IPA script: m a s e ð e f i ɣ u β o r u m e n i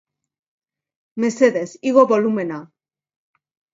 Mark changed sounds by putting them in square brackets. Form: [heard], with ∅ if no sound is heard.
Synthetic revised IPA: m [e] s e ð e [s] i ɣ [o] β o [l] u m e n [a]